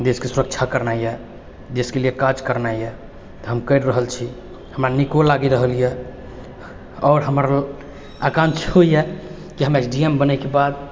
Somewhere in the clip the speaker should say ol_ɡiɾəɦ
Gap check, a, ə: a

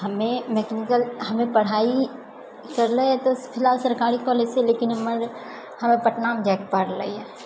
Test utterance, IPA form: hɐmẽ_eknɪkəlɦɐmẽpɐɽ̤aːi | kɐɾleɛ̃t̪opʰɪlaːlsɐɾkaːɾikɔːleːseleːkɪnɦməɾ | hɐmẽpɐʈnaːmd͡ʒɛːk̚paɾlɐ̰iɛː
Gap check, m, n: m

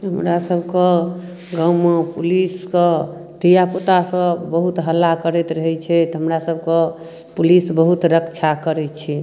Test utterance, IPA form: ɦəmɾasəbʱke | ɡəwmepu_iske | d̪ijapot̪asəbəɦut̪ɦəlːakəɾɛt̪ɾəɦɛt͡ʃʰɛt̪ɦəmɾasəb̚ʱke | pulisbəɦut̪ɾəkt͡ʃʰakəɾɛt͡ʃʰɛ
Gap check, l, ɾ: l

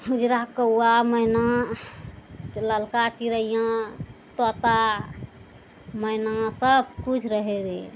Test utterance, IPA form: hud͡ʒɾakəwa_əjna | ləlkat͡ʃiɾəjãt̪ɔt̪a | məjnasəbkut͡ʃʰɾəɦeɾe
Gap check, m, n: m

